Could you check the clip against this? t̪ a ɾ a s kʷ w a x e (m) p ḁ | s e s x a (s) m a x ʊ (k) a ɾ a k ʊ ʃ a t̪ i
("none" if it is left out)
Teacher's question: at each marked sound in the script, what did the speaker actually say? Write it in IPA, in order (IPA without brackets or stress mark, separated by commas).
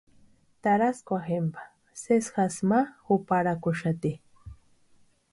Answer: m, s, p